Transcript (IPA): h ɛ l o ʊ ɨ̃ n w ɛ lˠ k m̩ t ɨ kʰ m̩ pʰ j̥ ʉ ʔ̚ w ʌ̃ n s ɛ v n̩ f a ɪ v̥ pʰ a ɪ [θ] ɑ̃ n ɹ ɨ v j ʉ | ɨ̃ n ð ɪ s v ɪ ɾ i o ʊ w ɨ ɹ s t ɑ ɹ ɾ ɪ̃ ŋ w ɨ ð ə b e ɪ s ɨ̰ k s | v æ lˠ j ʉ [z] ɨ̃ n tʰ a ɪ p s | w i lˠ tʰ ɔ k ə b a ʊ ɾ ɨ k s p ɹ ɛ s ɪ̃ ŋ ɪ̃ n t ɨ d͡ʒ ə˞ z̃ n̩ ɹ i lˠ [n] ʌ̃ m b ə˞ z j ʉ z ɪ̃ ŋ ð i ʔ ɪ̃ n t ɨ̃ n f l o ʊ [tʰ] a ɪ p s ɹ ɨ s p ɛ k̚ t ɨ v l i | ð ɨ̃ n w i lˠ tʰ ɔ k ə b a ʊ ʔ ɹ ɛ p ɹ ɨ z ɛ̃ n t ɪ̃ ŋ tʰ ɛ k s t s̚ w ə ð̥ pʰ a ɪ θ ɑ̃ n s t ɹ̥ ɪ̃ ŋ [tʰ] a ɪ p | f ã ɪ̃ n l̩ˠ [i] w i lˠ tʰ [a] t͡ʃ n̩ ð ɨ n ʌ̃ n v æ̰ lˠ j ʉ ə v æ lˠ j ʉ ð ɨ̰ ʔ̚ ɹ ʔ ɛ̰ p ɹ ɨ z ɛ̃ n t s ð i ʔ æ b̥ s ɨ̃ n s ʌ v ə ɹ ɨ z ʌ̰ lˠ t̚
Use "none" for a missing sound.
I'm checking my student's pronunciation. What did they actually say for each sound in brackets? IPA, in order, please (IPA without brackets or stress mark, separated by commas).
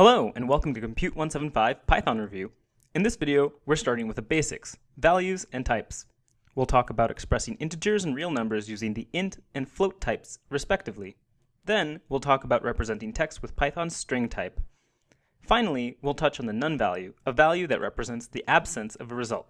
θ, z, n, tʰ, tʰ, i, ʌ